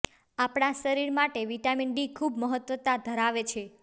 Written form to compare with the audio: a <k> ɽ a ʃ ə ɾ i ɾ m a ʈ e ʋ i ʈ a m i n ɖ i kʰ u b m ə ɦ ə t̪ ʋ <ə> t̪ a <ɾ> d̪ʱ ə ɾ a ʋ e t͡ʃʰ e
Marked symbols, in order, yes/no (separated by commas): no, yes, no